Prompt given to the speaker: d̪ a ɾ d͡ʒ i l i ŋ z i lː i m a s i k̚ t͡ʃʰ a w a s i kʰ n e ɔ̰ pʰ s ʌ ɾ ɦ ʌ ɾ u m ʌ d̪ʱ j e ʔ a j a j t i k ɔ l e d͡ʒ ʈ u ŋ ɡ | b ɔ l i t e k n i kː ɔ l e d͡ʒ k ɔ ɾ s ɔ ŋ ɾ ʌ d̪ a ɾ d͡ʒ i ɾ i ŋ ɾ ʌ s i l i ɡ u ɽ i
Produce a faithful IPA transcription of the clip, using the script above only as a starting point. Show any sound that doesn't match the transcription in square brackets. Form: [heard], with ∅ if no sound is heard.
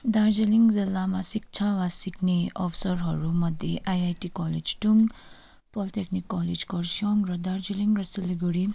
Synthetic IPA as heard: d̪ a ɾ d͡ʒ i l i ŋ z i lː [a] m a s i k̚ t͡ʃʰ a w a s i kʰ n e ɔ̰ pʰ s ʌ ɾ ɦ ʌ ɾ u m ʌ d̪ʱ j e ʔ a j a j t i k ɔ l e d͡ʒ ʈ u ŋ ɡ | [p] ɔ l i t e k n i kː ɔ l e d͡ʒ k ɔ ɾ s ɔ ŋ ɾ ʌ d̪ a ɾ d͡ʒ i [l] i ŋ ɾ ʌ s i l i ɡ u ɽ i